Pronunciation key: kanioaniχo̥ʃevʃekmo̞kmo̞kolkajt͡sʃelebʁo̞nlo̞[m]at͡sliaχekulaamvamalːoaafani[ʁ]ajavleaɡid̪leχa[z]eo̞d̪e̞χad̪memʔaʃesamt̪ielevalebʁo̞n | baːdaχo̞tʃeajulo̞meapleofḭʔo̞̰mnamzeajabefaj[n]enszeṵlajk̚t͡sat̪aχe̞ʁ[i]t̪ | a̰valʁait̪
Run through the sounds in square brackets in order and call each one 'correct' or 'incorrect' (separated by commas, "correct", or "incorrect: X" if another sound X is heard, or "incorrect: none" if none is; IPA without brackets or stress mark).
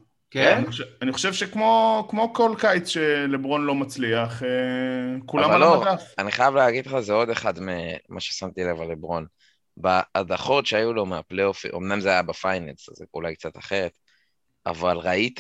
correct, incorrect: χ, correct, correct, incorrect: e